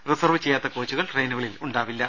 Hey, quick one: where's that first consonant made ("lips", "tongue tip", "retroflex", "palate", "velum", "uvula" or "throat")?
tongue tip